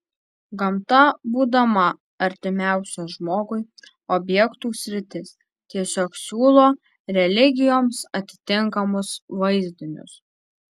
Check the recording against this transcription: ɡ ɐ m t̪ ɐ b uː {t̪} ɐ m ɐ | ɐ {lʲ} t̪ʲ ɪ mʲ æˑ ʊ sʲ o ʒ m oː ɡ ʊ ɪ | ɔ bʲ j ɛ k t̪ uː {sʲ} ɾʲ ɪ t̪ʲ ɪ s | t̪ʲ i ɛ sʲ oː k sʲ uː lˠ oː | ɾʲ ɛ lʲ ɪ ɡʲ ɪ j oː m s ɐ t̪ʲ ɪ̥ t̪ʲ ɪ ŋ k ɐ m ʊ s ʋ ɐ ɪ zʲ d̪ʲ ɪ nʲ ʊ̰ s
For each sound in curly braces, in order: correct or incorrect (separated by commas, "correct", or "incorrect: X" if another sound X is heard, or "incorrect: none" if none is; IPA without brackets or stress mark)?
incorrect: d̪, incorrect: ɾʲ, correct